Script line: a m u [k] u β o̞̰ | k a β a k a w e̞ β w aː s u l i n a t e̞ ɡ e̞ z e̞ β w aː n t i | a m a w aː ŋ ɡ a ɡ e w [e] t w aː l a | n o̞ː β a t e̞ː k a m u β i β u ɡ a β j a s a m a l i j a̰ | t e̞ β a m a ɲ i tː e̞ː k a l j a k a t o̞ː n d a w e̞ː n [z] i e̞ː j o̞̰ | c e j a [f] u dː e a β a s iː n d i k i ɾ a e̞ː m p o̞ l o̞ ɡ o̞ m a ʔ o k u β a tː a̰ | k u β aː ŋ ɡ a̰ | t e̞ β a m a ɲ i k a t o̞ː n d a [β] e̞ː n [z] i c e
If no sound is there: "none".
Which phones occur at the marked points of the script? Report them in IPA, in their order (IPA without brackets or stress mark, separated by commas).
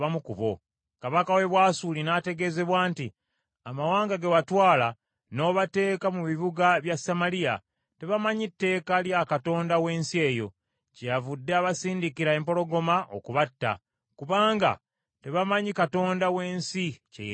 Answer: k, a, s, v, w, s